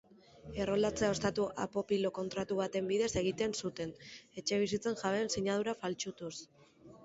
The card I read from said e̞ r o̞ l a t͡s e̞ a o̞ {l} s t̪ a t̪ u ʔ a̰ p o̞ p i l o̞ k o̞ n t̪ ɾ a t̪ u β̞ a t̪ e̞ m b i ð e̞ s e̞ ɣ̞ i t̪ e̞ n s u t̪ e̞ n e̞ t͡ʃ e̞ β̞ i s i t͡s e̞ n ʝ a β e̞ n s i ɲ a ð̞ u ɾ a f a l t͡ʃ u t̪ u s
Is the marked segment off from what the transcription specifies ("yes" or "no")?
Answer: yes